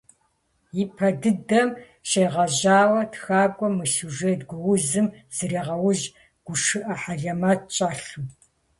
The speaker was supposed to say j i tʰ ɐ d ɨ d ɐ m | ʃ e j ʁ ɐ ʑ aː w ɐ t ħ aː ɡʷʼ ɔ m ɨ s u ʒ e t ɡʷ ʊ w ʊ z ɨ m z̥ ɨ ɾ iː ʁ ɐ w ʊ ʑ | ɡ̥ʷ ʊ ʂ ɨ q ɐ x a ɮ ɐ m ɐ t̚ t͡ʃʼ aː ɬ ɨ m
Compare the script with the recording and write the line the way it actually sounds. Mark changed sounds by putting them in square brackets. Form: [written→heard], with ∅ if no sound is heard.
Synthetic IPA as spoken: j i [tʰ→pʰ] ɐ d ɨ d ɐ m | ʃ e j ʁ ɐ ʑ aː w ɐ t [ħ→x] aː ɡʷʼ ɔ m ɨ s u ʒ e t ɡʷ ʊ w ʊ z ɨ m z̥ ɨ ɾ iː ʁ ɐ w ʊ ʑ | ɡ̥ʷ ʊ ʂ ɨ [q→ʔ] ɐ [x→ħ] a ɮ ɐ m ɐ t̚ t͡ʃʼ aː ɬ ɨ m

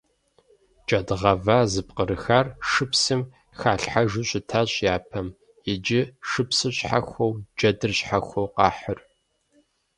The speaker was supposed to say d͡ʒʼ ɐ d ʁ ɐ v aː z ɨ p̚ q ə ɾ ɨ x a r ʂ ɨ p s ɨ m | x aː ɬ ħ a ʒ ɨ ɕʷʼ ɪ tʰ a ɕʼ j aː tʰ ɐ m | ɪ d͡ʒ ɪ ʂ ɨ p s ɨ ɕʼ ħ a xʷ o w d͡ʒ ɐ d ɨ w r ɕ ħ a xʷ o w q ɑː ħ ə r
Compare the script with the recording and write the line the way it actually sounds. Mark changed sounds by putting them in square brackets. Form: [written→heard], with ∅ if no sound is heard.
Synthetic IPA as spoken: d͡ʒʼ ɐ d ʁ ɐ v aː z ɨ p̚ q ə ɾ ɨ x a r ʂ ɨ p s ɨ m | x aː ɬ ħ a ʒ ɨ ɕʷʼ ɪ tʰ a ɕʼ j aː [tʰ→pʰ] ɐ m | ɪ d͡ʒ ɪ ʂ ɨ p s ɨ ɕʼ ħ a xʷ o w d͡ʒ ɐ d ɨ [w→∅] r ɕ ħ a xʷ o w q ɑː ħ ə r

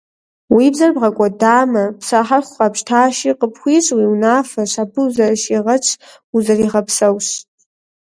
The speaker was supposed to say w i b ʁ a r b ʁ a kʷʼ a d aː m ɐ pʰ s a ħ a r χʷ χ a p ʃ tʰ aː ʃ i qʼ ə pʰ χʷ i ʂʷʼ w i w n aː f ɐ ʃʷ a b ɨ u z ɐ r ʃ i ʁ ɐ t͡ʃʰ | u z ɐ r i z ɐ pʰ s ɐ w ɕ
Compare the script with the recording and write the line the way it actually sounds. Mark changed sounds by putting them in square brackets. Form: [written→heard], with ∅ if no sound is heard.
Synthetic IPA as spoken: w i b [ʁ→z] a r b ʁ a kʷʼ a d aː m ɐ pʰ s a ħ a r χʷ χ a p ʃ tʰ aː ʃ i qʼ ə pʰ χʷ i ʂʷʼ w i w n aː f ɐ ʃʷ a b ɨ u z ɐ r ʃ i ʁ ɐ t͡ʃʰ | u z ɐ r i [z→ʁ] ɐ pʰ s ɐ w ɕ

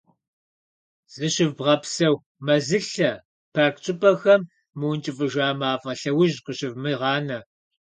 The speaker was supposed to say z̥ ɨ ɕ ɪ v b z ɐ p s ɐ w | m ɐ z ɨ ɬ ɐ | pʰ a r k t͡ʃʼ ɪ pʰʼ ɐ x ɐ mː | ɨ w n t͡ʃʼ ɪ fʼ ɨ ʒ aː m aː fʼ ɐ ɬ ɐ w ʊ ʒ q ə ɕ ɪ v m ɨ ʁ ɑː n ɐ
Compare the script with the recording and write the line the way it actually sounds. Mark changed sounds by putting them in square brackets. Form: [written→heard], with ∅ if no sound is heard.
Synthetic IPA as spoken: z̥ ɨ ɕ ɪ v b [z→ʁ] ɐ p s ɐ w | m ɐ z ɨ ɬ ɐ | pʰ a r k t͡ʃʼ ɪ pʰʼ ɐ x ɐ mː | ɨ w n t͡ʃʼ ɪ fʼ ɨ ʒ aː m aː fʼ ɐ ɬ ɐ w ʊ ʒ q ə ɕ ɪ v m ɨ ʁ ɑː n ɐ

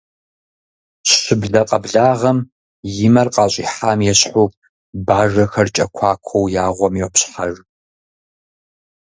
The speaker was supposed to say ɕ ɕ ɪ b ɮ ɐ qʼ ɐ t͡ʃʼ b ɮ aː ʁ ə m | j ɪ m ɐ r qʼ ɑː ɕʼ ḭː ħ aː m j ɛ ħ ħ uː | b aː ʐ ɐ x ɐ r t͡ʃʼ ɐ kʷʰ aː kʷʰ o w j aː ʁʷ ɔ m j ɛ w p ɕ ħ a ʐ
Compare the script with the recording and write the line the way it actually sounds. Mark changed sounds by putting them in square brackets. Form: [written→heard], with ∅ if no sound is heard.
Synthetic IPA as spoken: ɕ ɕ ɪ b ɮ ɐ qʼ ɐ [t͡ʃʼ→∅] b ɮ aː ʁ [ə→ɐ] m | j ɪ m ɐ r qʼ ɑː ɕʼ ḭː ħ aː m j ɛ [ħ→ɕ] ħ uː | b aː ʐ ɐ x ɐ r t͡ʃʼ ɐ kʷʰ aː kʷʰ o w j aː ʁʷ ɔ m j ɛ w p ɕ ħ a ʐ

